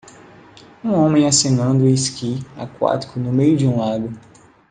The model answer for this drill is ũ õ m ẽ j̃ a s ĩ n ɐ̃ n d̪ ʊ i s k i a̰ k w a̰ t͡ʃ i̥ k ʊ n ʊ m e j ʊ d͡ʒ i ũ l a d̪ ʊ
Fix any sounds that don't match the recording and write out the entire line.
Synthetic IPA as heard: ũ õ m ẽ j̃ a s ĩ n ɐ̃ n d̪ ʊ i s k i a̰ k w a̰ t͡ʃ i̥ k ʊ n ʊ m e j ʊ d͡ʒ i ũ l a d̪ ʊ